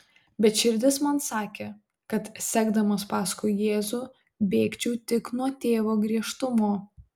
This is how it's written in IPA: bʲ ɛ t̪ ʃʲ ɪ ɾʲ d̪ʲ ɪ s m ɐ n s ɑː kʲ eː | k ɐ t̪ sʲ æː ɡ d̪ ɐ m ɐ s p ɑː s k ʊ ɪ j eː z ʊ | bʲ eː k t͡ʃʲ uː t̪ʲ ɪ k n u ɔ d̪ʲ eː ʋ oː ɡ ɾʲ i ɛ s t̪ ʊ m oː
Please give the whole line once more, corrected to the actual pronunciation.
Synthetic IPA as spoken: bʲ ɛ t̪ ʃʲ ɪ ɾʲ d̪ʲ ɪ s m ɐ n s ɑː kʲ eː | k ɐ t̪ sʲ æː ɡ d̪ ɐ m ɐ s p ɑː s k ʊ ɪ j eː z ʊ | bʲ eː k t͡ʃʲ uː t̪ʲ ɪ k n u ɔ t̪ʲ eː ʋ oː ɡ ɾʲ i ɛ ʃ t̪ ʊ m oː

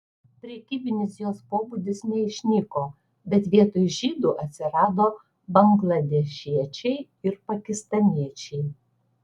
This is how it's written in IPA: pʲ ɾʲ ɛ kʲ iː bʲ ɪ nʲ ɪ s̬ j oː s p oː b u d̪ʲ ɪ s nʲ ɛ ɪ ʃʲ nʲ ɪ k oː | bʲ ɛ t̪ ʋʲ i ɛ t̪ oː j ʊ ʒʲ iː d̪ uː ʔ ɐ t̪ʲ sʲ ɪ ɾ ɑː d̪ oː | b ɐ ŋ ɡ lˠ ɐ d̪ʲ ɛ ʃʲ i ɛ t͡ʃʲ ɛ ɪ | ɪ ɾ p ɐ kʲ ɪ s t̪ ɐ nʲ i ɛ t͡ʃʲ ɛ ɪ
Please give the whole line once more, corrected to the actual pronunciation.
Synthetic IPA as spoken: pʲ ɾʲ ɛ kʲ iː bʲ ɪ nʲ ɪ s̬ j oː s p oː b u d̪ʲ ɪ s nʲ ɛ ɪ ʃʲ nʲ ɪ k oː | bʲ ɛ t̪ ʋʲ i ɛ t̪ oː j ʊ ʒʲ iː d̪ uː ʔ ɐ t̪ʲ sʲ ɪ ɾ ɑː d̪ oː | b ɐ ŋ ɡ lˠ ɐ d̪ʲ ɛ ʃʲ i ɛ t͡ʃʲ ɛ ɪ | ɪ ɾ p ɐ kʲ ɪ s t̪ ɐ nʲ i ɛ t͡ʃʲ ɛ ɪ

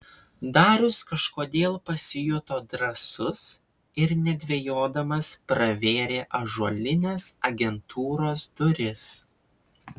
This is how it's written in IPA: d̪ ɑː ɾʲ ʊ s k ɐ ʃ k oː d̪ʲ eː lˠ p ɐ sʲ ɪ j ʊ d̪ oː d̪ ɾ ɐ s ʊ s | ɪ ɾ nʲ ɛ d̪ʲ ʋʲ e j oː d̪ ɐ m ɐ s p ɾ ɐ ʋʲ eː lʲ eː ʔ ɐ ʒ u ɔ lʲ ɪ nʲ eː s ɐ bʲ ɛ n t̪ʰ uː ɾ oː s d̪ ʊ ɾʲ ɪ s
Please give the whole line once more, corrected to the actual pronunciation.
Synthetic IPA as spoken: d̪ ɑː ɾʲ ʊ s k ɐ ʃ k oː d̪ʲ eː lˠ p ɐ sʲ ɪ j ʊ t̪ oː d̪ ɾ ɐ s ʊ s | ɪ ɾ nʲ ɛ d̪ʲ ʋʲ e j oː d̪ ɐ m ɐ s p ɾ ɐ ʋʲ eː ɾʲ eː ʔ ɐ ʒ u ɔ lʲ ɪ nʲ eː s ɐ ɡʲ ɛ n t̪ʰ uː ɾ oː s d̪ ʊ ɾʲ ɪ s

